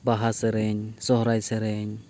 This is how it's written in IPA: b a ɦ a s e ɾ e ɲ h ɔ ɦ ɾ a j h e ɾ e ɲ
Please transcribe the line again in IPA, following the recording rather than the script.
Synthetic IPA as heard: b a ɦ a s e ɾ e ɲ s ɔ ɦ ɾ a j s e ɾ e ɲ